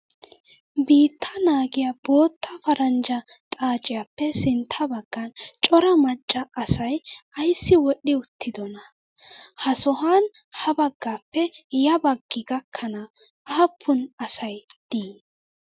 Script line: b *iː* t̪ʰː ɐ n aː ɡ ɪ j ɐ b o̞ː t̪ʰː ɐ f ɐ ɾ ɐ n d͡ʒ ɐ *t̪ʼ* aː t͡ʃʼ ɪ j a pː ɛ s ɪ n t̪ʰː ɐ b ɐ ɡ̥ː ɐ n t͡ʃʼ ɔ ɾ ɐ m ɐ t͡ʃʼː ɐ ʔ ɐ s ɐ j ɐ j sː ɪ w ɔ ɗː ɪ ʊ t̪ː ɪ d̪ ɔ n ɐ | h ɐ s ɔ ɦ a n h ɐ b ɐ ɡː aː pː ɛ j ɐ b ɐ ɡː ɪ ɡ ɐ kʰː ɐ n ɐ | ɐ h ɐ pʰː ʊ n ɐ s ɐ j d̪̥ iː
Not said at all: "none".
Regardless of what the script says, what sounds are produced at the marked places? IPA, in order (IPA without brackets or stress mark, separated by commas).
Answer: iː, t̪ʼ